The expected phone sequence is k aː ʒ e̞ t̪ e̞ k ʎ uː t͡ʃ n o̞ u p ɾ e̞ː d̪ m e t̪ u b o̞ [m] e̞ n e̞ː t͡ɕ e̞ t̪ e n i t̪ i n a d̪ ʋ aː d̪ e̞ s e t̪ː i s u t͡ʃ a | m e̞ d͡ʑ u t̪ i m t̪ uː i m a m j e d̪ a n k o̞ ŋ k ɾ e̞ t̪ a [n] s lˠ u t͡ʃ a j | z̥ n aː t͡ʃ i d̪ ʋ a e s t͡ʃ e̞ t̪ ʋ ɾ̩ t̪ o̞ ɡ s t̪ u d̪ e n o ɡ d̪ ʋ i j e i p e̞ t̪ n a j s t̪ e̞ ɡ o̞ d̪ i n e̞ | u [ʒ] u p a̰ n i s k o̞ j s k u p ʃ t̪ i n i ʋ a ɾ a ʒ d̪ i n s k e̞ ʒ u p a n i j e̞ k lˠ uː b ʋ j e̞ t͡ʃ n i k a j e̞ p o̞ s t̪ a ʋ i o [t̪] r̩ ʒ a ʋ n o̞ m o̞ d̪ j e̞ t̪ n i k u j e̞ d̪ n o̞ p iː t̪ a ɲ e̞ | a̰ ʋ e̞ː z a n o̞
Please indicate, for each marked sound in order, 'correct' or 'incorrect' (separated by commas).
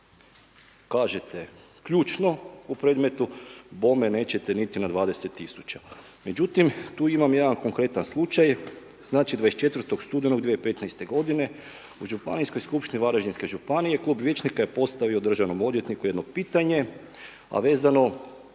correct, correct, correct, incorrect